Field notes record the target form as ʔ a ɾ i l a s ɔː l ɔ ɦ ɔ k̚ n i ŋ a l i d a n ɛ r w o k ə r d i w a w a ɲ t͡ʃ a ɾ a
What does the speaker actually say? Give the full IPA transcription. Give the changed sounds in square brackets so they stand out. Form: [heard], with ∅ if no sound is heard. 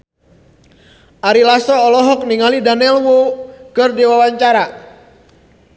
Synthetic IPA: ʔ a ɾ i l a s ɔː l ɔ ɦ ɔ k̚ n i ŋ a l i d a n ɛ [l] w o k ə r d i w a w a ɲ t͡ʃ a ɾ a